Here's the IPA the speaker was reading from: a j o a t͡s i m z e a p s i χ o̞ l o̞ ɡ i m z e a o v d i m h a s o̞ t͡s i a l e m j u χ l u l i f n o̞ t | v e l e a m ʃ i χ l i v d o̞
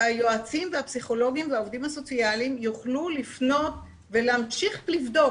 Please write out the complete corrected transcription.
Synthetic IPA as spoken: a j o a t͡s i m v e a p s i χ o̞ l o̞ ɡ i m v e a o v d i m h a s o̞ t͡s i a l i m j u χ l u l i f n o̞ t | v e l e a m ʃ i χ l i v d o̞

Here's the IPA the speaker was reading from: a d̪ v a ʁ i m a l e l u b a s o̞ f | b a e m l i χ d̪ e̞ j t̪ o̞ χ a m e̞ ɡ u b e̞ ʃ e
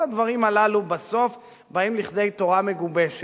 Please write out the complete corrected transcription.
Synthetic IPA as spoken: a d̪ v a ʁ i m a l a l u b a s o̞ f | b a i m l i χ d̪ e̞ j t̪ o̞ ʁ a m e̞ ɡ u b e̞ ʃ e

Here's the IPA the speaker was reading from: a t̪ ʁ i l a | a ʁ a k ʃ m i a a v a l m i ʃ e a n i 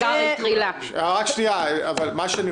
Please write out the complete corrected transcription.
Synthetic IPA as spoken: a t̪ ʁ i l a | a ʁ a k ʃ n i a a v a l m a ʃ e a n i

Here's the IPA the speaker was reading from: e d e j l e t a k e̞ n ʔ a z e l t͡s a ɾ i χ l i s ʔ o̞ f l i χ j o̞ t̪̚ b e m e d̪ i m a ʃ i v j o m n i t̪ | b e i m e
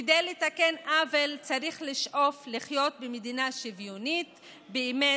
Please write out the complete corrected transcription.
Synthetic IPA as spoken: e d e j l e t a k e̞ n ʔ a v e l t͡s a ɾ i χ l i ʃ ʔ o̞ f l i χ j o̞ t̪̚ b e m e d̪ i n a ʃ i v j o n i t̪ | b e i m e

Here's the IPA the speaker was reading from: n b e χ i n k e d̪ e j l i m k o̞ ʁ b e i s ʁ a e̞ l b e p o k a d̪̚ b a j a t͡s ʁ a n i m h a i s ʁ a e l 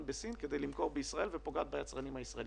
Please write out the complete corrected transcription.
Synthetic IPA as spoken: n b e s i n k e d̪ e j l i m k o̞ ʁ b e i s ʁ a e̞ l v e p o ɡ a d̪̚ b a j a t͡s ʁ a n i m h a i s ʁ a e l

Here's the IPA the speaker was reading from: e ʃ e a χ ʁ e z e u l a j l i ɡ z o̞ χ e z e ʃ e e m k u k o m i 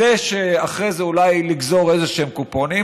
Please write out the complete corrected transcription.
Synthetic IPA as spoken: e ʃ e a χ ʁ e z e u l a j l i ɡ z o̞ ʁ e z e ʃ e e m k u p o n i

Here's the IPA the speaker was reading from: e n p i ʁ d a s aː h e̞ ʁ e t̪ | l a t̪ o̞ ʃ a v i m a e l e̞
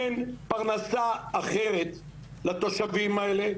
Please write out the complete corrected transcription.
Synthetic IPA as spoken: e n p a ʁ n a s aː χ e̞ ʁ e t̪ | l a t̪ o̞ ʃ a v i m a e l e̞

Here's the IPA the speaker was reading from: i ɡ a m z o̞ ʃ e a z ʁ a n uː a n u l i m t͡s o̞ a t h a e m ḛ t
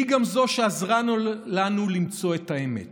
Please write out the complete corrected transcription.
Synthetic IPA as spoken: i ɡ a m z o̞ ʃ e a z ʁ a n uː a n u l i m t͡s o̞ e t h a e m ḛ t

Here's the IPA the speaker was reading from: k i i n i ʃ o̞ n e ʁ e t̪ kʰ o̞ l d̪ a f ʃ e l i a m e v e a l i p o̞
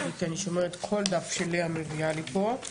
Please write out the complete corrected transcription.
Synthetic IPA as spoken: k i a n i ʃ o̞ m e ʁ e t̪ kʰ o̞ l d̪ a f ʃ e l i a m e v i a l i p o̞

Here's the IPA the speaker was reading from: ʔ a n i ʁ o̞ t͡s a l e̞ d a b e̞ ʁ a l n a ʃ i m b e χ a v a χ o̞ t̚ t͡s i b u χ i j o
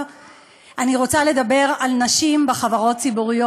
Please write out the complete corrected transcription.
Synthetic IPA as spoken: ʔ a n i ʁ o̞ t͡s a l e̞ d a b e̞ ʁ a l n a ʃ i m b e χ a v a ʁ o̞ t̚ t͡s i b u ʁ i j o

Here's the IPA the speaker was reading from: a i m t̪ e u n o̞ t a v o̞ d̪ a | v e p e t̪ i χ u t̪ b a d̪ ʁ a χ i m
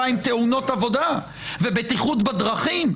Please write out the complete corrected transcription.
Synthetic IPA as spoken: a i m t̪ e u n o̞ t a v o̞ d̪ a | v e b e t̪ i χ u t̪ b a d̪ ʁ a χ i m

